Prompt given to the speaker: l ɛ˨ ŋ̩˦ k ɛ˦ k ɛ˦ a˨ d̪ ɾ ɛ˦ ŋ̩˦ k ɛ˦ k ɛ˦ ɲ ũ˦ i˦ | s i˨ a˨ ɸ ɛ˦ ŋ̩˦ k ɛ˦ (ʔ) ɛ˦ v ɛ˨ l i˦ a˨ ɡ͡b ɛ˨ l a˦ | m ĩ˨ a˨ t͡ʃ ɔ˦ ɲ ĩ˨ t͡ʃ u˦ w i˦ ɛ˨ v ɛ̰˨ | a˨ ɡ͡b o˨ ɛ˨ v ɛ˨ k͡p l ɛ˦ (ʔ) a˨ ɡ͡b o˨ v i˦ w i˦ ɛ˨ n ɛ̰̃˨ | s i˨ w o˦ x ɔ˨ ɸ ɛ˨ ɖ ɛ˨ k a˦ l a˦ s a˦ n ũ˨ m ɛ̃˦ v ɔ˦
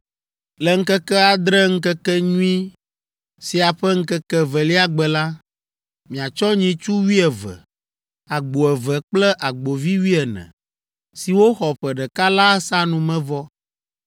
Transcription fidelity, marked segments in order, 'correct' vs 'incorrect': incorrect: k, correct

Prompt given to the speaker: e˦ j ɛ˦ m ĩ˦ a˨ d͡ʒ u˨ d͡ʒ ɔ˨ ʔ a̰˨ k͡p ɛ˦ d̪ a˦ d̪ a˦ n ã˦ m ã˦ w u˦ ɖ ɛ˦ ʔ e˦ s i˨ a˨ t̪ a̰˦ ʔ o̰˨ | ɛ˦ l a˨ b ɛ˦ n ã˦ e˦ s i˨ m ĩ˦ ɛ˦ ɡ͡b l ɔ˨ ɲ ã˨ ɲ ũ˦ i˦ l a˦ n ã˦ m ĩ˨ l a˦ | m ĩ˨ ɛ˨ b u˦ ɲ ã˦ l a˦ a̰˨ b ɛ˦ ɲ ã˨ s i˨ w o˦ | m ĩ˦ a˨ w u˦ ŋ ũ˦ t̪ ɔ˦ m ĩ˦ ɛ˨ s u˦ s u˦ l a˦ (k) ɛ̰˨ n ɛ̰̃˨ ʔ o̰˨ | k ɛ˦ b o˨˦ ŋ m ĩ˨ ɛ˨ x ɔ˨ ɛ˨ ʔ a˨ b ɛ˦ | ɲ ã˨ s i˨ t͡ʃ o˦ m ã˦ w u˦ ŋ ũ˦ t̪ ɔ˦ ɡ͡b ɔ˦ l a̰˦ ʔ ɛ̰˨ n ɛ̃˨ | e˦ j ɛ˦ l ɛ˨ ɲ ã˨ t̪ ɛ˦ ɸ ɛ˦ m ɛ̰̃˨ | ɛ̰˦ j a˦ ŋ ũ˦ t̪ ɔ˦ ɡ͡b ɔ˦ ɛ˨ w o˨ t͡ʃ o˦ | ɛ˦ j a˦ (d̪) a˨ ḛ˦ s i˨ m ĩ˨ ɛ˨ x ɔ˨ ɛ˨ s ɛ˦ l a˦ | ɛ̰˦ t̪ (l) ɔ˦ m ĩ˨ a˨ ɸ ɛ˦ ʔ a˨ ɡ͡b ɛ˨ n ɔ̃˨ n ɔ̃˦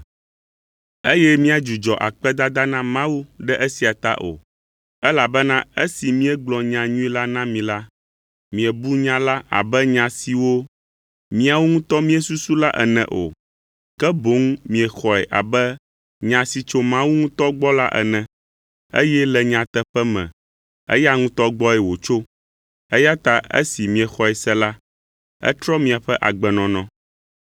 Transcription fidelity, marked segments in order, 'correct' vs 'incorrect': incorrect: ʔ, incorrect: t̪, incorrect: ɾ

